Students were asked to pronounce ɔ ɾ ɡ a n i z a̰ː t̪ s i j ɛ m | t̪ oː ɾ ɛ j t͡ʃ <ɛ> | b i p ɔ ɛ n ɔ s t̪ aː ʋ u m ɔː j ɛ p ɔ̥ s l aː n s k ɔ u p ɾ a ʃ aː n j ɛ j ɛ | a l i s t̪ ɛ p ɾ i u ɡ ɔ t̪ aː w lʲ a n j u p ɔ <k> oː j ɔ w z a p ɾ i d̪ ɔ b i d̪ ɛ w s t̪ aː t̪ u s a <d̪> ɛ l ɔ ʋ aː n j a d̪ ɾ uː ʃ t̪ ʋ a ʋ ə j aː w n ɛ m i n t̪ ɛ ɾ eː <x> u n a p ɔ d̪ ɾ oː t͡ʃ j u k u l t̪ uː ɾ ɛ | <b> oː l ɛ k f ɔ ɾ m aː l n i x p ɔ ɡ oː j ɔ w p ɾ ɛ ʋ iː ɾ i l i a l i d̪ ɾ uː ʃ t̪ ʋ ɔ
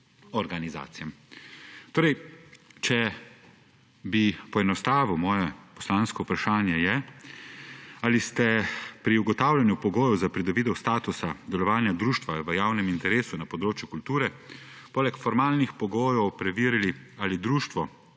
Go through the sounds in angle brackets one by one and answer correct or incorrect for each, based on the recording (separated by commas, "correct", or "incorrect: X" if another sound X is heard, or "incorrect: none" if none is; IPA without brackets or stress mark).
correct, incorrect: ɡ, correct, incorrect: s, incorrect: p